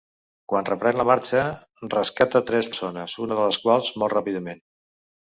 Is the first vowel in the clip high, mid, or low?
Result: low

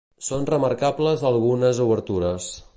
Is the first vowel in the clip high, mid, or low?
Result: mid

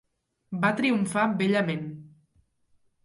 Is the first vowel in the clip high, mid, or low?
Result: low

